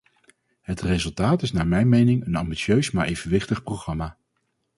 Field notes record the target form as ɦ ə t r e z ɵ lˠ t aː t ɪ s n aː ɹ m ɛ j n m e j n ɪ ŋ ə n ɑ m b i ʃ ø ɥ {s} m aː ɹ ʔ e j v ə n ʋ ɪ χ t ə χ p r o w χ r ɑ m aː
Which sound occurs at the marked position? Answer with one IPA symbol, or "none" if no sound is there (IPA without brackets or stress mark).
s